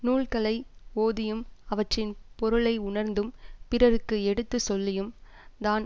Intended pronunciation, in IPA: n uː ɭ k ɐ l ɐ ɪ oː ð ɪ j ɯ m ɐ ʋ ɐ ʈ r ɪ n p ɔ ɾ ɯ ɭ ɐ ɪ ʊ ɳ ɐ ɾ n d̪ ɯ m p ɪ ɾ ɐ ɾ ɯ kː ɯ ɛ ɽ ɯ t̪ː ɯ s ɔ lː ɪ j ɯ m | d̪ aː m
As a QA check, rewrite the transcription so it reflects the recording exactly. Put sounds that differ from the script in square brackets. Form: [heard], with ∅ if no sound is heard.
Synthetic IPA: n uː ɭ k ɐ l ɐ ɪ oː ð ɪ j ɯ m ɐ ʋ ɐ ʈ r ɪ n p ɔ ɾ ɯ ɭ ɐ ɪ ʊ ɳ ɐ ɾ n d̪ ɯ m p ɪ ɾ ɐ ɾ ɯ kː ɯ ɛ ɽ ɯ t̪ː ɯ s ɔ lː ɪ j ɯ m | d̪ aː [n]